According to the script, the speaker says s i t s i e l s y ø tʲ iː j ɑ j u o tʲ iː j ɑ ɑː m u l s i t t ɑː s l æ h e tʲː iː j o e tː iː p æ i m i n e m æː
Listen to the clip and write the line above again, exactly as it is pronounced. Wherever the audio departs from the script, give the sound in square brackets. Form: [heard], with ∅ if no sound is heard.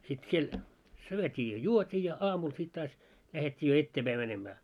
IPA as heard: s i t s i e l s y ø tʲ iː j ɑ j u o tʲ iː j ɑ ɑː m u l s i t t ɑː s l æ h e tʲː iː j o e tː [eː] p æ i m [æ] n e m æː